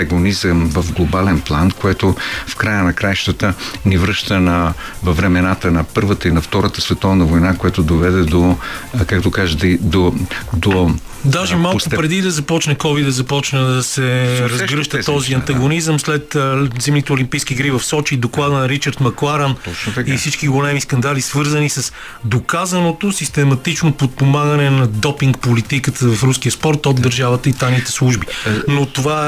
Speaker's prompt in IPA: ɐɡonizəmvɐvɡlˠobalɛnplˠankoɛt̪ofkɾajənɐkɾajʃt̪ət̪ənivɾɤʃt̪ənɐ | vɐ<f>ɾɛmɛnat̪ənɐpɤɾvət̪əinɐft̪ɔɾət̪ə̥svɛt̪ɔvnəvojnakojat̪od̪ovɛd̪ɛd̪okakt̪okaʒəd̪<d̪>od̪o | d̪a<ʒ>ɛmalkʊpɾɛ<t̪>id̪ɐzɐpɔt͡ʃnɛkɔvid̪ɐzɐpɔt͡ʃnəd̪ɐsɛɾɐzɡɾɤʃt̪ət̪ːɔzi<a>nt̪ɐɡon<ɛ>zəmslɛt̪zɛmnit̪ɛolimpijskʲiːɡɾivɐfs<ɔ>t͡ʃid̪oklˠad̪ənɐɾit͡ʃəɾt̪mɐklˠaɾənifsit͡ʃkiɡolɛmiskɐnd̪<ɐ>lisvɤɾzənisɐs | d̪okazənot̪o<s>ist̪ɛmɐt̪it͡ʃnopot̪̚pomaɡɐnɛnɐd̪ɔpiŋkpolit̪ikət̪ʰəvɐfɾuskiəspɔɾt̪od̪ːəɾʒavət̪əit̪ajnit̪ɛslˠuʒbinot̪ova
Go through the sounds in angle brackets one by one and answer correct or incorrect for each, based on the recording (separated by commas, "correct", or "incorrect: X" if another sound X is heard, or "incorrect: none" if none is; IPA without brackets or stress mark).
incorrect: v, correct, correct, incorrect: d̪, incorrect: ɐ, incorrect: i, correct, incorrect: a, correct